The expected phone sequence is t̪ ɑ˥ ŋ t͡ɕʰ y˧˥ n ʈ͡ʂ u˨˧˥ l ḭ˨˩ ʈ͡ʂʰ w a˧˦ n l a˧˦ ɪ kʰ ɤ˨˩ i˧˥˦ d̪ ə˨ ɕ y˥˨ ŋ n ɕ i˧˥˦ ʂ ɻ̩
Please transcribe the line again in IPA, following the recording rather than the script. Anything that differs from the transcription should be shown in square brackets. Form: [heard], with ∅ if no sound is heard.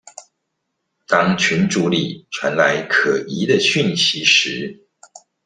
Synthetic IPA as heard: t̪ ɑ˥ ŋ t͡ɕʰ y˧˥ n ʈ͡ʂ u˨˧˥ l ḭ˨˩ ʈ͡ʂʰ w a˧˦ n l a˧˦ ɪ kʰ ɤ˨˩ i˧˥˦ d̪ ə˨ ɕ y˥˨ [∅] n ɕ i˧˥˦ ʂ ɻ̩